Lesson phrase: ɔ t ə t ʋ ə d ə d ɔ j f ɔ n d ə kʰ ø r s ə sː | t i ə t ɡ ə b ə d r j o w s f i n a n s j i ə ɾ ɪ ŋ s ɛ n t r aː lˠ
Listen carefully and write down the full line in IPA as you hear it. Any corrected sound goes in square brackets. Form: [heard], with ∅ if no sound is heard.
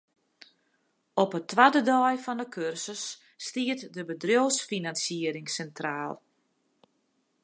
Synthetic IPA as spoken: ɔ [p] ə t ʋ [a] d ə d ɔ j f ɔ n d ə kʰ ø r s ə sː | t i ə t [d] ə b ə d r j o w s f i n a n s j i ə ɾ ɪ ŋ s ɛ n t r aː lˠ